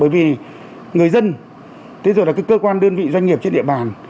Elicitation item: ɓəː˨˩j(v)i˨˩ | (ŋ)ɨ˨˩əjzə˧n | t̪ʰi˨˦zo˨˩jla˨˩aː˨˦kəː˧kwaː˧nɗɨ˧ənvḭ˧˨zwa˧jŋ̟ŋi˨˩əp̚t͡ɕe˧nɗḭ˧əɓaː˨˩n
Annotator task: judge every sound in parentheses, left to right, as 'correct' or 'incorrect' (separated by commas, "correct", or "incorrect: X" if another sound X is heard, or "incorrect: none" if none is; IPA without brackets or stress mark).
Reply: correct, correct